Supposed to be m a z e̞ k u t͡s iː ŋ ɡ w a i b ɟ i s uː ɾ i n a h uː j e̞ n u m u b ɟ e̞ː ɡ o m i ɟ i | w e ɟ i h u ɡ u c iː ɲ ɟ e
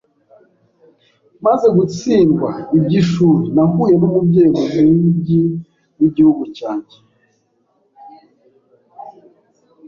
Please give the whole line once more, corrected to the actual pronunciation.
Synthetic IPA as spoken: m a z e̞ ɡ u t͡s iː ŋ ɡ w a i b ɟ i ʃ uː ɾ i n a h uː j e̞ n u m u b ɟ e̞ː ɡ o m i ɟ i | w i ɟ i h u ɡ u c aː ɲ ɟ e